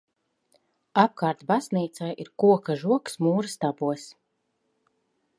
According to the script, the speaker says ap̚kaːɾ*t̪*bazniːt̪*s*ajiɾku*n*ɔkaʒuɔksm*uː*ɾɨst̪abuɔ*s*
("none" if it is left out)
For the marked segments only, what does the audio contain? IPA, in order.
t̪, s, none, uː, s

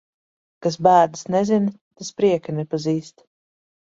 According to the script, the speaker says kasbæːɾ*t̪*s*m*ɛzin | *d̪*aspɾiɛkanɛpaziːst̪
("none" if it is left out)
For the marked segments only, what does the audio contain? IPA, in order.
d̪, n, t̪

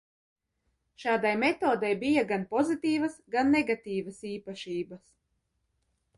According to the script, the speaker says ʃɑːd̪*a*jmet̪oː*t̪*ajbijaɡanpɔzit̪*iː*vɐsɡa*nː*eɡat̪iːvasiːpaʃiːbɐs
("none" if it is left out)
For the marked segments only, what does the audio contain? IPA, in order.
a, d̪, iː, nː

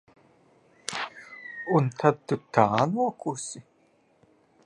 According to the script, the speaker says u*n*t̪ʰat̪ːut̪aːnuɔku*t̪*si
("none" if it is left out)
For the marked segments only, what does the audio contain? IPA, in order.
n, none

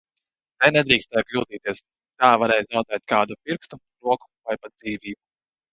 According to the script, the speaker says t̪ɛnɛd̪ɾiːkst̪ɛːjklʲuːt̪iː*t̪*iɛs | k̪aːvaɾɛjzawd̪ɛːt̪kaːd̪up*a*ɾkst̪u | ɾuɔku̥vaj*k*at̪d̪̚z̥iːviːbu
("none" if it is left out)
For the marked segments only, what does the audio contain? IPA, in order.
t̪, i, p

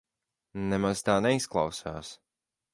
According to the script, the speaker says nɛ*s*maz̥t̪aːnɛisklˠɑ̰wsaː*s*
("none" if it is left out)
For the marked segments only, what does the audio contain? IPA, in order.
none, s

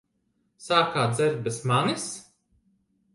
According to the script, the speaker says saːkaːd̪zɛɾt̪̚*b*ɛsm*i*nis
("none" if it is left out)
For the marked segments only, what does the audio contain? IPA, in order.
b, a

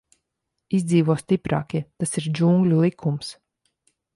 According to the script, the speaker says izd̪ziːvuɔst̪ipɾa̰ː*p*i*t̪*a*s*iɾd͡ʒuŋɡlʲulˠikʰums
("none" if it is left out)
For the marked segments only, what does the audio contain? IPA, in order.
k, t̪, s

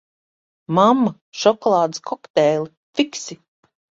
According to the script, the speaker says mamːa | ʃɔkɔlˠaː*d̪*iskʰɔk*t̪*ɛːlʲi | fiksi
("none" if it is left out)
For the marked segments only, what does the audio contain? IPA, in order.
d̪, t̪

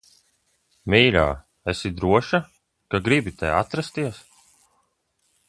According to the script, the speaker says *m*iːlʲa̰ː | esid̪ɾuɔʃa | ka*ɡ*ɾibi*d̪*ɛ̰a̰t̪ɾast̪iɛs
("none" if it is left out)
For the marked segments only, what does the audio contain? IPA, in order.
m, ɡ, t̪

